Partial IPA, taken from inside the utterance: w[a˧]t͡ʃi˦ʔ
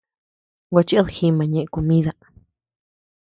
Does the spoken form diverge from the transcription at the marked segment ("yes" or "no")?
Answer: no